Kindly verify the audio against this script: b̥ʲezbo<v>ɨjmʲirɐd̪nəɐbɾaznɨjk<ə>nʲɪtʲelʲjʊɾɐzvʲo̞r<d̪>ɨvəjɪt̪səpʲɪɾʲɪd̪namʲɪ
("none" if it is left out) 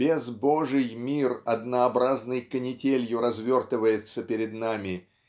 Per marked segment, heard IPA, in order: ʐ, ə, t̪

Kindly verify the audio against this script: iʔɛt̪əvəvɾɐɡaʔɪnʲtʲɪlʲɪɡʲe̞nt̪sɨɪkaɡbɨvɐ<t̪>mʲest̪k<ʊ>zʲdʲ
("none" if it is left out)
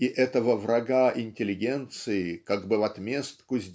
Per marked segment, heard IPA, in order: t̪, ʊ

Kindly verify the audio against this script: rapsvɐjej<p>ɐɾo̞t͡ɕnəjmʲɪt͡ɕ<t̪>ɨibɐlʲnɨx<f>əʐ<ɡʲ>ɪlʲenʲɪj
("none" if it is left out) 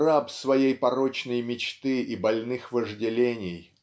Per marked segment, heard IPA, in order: p, t̪, v, dʲ

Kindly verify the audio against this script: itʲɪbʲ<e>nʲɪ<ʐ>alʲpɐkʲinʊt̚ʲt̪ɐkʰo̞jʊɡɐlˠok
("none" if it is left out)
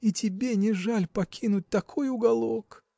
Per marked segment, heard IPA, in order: e, ʐ

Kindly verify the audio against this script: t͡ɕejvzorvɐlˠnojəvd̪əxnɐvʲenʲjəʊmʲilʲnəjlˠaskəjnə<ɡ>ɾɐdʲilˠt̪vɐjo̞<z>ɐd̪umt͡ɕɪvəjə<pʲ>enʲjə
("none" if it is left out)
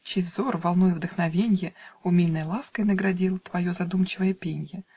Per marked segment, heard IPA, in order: ɡ, z, pʲ

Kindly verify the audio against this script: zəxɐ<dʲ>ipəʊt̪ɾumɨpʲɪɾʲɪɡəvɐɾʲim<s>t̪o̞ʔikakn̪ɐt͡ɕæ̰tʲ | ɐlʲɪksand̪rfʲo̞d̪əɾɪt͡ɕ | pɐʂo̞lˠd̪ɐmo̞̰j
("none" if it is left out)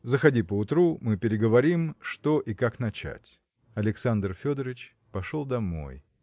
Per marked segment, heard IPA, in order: dʲ, ʂ

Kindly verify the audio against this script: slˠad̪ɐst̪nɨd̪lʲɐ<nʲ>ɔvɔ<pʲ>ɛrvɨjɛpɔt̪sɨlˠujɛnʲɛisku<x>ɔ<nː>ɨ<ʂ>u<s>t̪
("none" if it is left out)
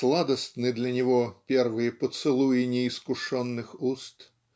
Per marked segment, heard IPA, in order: nʲ, pʲ, ʂ, nː, x, s

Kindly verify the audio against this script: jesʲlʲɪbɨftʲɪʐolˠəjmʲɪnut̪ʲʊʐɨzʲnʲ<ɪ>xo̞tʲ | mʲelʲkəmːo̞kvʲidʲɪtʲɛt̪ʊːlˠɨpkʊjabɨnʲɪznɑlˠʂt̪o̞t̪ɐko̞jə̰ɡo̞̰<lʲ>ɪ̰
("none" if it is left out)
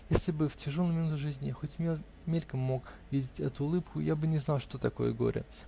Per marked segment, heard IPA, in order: ɪ, ɾʲ

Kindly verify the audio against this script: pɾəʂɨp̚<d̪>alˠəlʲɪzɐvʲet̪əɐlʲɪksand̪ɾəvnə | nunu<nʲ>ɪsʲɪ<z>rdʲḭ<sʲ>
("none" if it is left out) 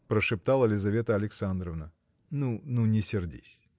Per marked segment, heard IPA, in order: t̪, nʲ, none, sʲ

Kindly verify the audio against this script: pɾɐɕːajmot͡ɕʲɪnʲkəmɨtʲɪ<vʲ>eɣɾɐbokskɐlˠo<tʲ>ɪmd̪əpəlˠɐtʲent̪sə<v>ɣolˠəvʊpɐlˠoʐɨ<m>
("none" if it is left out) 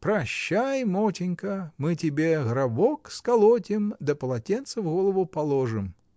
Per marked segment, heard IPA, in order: bʲ, tʲ, v, m

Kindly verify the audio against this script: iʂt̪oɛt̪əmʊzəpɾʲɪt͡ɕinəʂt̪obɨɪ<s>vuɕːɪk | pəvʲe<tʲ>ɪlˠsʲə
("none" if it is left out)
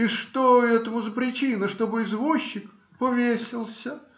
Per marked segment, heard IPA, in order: z, sʲ

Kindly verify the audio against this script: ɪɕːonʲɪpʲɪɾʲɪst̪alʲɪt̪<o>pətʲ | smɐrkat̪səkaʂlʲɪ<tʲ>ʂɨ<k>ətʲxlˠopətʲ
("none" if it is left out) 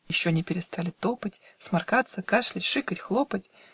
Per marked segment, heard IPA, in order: o, tʲ, k

